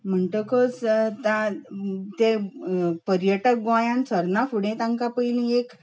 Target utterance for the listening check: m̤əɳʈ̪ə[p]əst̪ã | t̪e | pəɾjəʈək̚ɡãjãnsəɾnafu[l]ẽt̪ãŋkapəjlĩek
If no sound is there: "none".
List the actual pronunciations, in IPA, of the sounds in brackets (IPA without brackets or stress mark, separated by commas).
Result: k, ɽ